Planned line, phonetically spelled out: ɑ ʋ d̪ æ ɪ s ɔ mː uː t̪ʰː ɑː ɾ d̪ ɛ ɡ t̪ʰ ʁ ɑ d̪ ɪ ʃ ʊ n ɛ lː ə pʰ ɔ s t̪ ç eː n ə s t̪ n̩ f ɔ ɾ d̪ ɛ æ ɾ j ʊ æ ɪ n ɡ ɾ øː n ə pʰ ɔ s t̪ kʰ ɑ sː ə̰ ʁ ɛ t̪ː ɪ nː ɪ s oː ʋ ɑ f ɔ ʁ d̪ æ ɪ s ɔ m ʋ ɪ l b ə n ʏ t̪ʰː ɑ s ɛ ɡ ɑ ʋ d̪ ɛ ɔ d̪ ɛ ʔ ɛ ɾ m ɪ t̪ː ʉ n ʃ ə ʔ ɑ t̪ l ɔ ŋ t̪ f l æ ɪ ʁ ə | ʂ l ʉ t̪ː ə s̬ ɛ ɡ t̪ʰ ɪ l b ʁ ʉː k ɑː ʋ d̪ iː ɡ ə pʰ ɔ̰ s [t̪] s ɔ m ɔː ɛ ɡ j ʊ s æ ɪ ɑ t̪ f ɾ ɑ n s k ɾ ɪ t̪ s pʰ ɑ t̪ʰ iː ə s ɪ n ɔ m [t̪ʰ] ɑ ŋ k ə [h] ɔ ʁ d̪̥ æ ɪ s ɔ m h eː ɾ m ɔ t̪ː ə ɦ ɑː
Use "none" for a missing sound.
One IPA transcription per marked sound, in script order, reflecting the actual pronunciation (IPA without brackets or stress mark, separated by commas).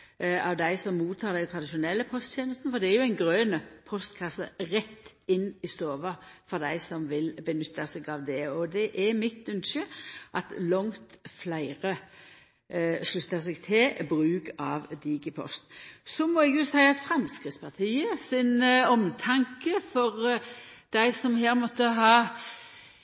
t̪, t̪ʰ, f